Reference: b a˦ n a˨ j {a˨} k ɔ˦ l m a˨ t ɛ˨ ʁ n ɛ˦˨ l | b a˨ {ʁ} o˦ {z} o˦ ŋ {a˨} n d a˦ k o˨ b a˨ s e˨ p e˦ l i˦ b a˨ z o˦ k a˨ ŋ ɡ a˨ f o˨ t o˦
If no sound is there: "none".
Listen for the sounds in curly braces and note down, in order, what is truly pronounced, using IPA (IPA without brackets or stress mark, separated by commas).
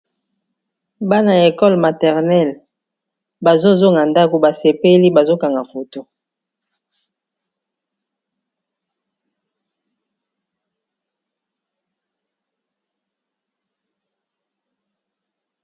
e˨, z, z, a˨